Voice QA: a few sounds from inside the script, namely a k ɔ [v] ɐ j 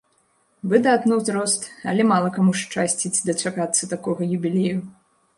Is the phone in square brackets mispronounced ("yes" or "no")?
yes